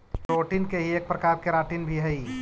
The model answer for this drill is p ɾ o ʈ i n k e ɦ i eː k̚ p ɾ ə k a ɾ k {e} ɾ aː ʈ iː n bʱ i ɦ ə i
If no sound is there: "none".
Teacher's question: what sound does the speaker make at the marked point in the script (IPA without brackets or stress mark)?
e